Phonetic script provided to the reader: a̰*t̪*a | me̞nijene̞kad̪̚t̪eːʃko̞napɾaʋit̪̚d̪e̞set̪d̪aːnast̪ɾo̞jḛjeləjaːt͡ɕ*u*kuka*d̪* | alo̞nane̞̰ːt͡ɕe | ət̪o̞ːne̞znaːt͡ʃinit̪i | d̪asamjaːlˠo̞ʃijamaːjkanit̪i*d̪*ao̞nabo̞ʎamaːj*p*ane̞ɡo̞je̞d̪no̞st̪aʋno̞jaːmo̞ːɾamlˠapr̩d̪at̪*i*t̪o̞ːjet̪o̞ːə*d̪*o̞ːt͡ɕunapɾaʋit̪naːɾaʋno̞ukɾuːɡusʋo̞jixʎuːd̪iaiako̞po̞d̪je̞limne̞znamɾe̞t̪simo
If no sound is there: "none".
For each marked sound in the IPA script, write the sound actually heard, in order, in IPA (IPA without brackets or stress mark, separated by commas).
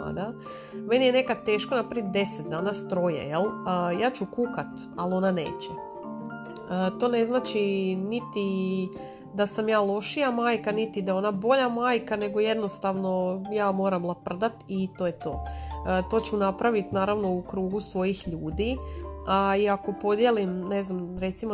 d̪, u, t̪, d̪, k, i, t̪